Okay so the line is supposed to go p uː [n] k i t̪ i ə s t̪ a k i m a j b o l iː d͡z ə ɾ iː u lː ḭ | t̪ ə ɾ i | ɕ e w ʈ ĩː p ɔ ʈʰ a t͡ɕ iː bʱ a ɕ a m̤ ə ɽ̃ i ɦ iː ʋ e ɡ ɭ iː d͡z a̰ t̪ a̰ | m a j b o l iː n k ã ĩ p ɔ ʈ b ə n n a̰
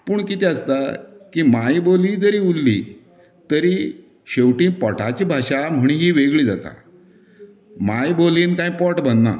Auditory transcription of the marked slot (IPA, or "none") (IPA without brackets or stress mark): ɳ